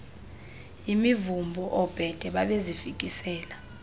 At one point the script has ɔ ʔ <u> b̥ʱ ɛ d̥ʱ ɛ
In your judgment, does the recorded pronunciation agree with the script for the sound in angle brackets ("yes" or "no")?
no